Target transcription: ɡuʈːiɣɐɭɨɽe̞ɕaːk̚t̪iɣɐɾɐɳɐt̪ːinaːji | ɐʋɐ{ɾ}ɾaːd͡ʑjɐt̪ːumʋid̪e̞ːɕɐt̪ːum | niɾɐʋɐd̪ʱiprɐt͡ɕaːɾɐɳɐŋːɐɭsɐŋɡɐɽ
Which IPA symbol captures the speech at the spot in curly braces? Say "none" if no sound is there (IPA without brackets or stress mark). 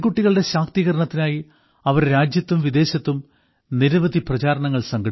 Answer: ɾ